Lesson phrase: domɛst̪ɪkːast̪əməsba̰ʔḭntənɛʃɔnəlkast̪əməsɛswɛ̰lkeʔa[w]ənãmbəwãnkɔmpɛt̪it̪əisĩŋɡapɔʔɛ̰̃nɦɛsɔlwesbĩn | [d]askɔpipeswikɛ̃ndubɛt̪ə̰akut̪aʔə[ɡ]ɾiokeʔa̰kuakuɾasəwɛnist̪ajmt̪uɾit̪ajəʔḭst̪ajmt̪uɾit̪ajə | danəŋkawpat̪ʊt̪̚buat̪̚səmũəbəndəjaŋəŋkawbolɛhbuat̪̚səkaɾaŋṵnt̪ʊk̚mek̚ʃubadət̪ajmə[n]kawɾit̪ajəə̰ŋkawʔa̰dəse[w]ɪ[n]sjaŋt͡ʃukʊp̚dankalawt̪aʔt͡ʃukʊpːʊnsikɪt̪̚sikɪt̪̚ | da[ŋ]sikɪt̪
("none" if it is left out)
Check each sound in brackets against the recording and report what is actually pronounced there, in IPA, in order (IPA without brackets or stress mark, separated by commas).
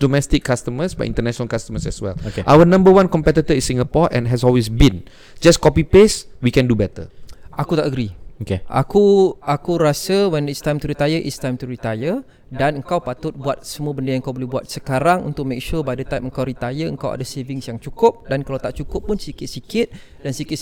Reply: w, d͡ʒ, ɡ, ŋ, v, ŋ, n